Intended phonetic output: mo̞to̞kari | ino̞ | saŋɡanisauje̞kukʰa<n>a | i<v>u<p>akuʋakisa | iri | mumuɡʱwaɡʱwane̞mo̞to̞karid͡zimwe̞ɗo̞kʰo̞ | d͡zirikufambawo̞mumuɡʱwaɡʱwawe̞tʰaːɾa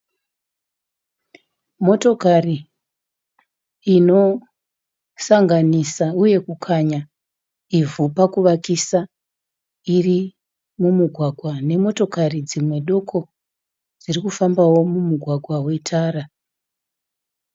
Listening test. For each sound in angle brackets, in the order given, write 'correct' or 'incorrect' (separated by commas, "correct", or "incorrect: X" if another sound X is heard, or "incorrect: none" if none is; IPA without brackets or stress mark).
incorrect: ɲ, correct, correct